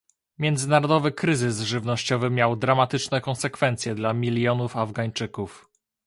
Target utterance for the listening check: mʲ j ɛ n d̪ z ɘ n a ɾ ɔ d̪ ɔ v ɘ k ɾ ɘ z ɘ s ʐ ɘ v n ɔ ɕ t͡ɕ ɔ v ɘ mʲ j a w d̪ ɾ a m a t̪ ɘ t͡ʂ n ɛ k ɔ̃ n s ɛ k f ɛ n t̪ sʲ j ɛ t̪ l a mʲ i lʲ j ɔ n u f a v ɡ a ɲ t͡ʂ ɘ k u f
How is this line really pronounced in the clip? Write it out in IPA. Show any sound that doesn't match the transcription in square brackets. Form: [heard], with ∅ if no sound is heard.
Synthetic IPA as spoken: mʲ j ɛ n d̪ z ɘ n a ɾ ɔ d̪ ɔ v ɘ k ɾ ɘ z ɘ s ʐ ɘ v n ɔ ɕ t͡ɕ ɔ v ɘ mʲ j a w d̪ ɾ a m a t̪ ɘ t͡ʂ n ɛ k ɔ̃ n s ɛ k f ɛ n t̪ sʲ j ɛ [d̪] l a mʲ i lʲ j ɔ n u f a v ɡ a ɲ t͡ʂ ɘ k u f